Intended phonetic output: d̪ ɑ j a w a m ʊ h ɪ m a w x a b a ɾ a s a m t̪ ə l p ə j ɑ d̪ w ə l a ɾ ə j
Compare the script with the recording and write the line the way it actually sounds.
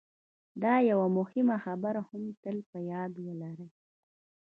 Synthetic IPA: d̪ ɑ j a w a m ʊ h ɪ m a x a b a ɾ a h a m t̪ ə l p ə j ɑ d̪ w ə l a ɾ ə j